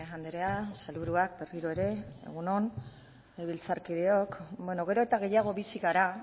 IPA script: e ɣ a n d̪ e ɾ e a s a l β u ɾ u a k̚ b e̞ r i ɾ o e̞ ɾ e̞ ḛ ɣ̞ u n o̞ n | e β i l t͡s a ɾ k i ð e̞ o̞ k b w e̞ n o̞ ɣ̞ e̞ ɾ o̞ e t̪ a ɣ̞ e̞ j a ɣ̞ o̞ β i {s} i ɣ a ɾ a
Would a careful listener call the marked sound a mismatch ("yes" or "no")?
no